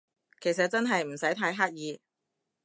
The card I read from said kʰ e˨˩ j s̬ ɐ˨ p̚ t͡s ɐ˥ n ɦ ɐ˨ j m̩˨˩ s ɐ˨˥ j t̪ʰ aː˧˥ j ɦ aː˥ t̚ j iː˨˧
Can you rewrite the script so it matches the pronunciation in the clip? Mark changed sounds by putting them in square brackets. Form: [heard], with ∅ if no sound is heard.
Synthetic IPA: kʰ e˨˩ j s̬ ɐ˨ [t̚] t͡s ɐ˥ n ɦ ɐ˨ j m̩˨˩ s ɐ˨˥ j t̪ʰ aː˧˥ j ɦ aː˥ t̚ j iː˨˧